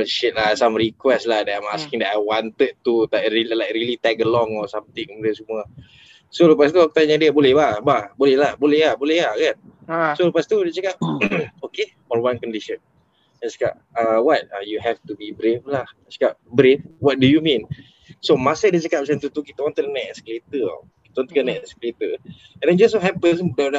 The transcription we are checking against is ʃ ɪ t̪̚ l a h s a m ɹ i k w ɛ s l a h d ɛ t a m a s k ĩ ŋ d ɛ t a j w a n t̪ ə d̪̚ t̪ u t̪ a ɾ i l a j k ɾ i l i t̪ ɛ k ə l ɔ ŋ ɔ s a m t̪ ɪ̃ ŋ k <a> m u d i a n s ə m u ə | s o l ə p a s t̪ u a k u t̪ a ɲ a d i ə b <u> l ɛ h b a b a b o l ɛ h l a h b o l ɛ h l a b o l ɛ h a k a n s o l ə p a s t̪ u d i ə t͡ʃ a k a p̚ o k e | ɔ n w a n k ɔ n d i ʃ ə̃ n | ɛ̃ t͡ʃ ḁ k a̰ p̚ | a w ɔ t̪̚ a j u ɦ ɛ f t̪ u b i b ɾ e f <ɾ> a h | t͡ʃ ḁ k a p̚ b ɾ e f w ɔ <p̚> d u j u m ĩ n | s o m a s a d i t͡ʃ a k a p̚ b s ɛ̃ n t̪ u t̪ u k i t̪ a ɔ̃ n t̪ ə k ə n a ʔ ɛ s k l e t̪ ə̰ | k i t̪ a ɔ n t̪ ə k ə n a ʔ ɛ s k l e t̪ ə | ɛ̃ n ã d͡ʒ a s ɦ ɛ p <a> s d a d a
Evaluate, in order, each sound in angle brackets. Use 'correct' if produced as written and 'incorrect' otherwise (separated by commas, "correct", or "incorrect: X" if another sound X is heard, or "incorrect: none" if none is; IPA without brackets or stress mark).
incorrect: ə, incorrect: o, incorrect: l, incorrect: t̚, incorrect: ə